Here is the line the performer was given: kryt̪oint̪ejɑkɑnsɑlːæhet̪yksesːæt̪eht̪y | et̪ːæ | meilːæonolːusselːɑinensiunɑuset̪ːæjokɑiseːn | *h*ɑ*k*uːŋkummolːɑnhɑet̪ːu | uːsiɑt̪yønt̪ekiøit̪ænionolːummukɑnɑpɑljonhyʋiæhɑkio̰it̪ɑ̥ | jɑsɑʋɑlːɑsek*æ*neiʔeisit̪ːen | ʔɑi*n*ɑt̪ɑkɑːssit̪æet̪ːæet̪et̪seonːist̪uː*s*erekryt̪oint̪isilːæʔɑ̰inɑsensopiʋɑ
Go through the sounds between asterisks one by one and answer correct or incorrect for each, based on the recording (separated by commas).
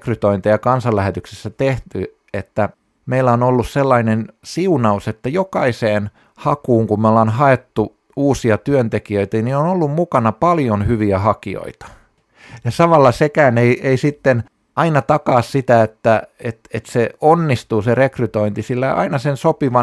correct, correct, incorrect, correct, correct